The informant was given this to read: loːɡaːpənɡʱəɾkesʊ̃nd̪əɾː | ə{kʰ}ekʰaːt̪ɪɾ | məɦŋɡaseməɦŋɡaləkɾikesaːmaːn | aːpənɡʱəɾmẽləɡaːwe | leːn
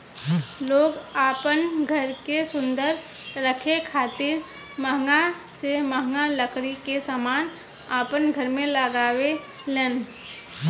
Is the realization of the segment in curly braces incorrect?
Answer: no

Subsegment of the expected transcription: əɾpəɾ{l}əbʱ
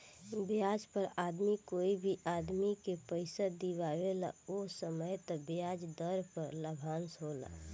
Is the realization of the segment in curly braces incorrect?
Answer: no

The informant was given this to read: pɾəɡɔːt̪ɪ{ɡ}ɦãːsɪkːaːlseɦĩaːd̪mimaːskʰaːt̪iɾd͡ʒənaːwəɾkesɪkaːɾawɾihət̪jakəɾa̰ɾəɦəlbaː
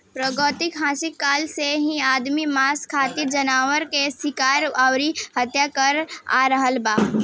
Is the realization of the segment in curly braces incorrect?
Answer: yes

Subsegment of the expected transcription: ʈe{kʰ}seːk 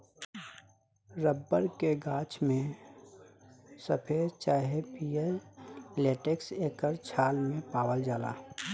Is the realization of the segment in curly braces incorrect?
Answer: yes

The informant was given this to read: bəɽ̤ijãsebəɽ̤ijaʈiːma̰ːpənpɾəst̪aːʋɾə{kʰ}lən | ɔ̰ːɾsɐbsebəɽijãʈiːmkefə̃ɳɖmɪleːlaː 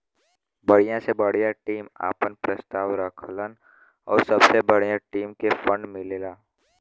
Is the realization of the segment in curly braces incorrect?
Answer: no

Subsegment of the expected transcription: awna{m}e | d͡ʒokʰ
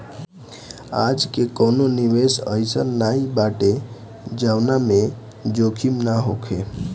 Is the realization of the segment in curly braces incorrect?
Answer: no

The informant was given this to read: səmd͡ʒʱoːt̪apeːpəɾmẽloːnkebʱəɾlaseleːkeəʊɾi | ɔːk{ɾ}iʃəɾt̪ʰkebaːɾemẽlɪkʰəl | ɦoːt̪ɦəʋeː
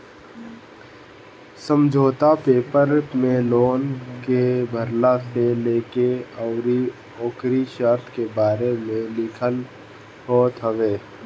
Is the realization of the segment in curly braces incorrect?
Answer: no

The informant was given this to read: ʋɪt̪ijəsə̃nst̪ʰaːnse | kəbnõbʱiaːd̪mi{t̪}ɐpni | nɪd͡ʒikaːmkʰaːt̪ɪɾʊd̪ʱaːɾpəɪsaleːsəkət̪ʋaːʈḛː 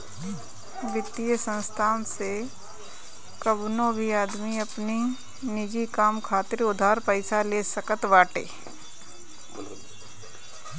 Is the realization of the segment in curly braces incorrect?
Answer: yes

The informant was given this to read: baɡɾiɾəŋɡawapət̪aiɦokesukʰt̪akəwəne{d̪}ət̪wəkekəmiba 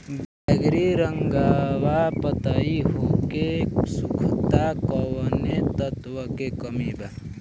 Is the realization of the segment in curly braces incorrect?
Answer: yes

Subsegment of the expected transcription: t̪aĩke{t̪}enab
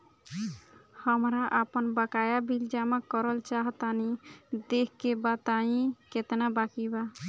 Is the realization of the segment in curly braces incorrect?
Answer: no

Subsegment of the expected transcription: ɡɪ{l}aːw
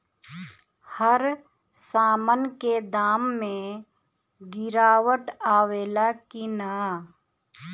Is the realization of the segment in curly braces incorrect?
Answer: yes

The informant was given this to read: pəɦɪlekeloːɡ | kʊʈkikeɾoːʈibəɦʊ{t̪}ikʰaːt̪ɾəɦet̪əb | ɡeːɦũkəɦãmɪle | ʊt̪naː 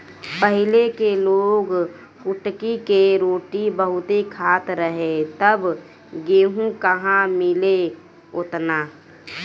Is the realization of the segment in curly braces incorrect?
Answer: no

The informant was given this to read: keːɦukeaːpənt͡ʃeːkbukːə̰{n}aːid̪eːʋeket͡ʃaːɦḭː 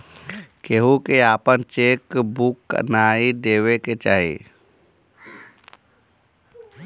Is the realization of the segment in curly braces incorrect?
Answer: no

